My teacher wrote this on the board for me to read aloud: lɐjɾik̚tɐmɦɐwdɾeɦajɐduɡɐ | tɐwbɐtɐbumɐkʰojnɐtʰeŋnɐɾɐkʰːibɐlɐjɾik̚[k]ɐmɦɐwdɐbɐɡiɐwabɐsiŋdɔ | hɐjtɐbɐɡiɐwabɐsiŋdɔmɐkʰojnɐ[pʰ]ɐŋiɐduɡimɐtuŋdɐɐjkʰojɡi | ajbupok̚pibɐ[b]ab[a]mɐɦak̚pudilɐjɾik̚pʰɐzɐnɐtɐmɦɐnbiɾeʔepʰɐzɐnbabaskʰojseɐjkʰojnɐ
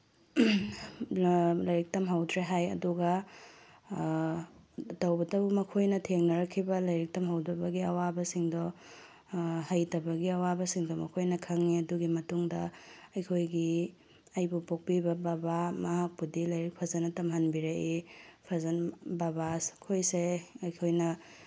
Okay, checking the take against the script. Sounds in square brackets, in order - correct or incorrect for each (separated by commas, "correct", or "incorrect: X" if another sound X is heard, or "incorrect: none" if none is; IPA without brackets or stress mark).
incorrect: t, incorrect: kʰ, correct, correct